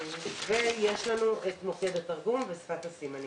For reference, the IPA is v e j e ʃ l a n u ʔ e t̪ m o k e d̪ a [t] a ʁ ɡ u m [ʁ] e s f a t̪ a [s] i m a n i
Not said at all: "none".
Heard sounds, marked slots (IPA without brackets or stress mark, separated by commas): t, v, s